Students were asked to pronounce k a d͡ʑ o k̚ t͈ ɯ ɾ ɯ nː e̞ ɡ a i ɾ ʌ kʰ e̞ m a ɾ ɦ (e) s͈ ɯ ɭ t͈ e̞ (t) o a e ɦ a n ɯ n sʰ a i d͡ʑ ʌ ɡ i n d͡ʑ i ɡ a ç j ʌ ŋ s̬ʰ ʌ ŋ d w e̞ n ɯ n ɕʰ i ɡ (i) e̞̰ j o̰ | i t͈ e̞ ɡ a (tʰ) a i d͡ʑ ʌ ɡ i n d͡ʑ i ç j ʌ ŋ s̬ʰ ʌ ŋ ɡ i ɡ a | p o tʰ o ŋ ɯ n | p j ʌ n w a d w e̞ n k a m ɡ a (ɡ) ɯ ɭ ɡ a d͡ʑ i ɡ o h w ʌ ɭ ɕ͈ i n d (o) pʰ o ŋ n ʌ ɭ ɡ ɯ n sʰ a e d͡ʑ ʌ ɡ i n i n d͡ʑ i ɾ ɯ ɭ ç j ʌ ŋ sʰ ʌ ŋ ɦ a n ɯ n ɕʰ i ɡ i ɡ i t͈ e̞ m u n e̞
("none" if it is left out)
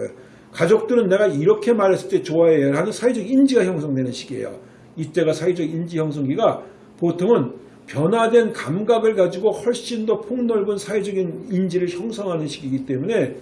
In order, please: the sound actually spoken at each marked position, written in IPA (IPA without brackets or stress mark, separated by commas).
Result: e, t͡ɕ, i, sʰ, ɡ, o